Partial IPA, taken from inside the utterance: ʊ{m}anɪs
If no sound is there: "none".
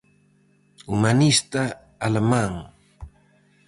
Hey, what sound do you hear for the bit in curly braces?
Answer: m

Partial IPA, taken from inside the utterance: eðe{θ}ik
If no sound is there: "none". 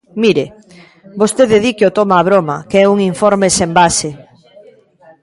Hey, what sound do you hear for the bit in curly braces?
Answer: ð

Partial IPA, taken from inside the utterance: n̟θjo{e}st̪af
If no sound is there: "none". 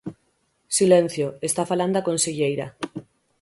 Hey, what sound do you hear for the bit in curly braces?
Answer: e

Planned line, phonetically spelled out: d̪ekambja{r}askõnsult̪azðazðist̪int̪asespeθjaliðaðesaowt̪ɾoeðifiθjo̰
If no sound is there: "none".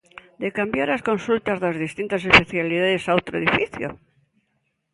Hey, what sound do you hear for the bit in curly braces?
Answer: ɾ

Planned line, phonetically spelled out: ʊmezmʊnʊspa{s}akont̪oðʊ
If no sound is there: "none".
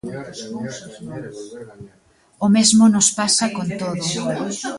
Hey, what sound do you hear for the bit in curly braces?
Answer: s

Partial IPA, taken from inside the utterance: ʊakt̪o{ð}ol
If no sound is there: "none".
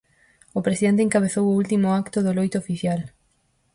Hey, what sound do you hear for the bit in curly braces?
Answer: ð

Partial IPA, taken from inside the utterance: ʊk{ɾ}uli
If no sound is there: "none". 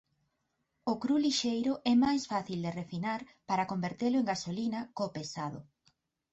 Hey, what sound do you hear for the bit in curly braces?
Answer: ɾ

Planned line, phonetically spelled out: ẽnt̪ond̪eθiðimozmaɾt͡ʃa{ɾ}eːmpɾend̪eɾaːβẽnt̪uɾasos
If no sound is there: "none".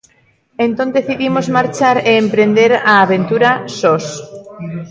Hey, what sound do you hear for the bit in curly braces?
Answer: ɾ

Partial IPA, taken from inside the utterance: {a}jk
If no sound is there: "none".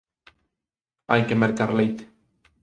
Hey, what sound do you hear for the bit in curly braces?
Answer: a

